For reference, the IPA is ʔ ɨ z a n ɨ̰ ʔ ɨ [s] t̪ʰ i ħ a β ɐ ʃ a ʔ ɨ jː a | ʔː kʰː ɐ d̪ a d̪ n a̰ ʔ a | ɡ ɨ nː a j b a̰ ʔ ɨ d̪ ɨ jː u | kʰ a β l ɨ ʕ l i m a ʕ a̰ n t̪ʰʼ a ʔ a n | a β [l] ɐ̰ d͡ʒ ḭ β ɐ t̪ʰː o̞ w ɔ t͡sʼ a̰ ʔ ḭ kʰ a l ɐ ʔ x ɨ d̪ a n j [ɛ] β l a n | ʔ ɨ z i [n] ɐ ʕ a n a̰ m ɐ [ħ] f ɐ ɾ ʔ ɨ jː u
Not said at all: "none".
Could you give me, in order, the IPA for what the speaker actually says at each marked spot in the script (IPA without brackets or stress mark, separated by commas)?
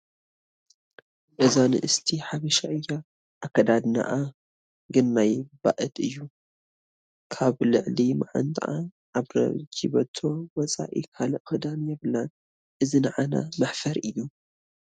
s, ɾ, ɛ, n, ħ